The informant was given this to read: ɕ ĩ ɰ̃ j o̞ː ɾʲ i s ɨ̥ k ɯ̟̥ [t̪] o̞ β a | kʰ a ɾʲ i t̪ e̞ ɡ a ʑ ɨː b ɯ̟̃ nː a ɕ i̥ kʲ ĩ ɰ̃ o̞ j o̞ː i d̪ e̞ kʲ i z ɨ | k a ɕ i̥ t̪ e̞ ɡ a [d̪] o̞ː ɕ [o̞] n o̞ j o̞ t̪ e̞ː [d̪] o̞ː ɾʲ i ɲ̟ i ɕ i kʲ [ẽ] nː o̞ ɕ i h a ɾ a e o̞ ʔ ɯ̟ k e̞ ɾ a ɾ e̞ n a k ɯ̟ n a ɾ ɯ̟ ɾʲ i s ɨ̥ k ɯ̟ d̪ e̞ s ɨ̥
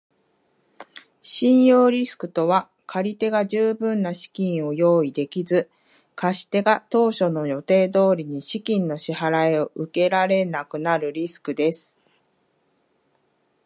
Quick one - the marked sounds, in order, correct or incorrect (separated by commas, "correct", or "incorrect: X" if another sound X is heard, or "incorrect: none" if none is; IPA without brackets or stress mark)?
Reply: correct, incorrect: t̪, correct, correct, incorrect: ĩ